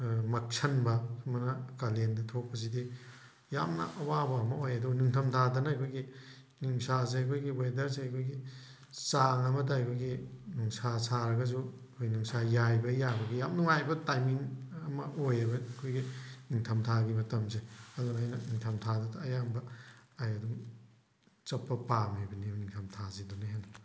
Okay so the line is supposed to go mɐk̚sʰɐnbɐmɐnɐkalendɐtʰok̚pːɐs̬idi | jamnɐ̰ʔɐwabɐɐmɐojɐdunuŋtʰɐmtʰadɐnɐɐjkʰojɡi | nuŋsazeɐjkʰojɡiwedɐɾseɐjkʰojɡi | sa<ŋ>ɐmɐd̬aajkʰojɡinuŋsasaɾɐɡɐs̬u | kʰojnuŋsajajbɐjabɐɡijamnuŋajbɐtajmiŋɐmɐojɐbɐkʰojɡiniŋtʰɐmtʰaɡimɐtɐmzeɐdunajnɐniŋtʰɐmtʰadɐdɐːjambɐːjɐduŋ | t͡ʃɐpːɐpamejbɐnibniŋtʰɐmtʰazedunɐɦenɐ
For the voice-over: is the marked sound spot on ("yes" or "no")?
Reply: yes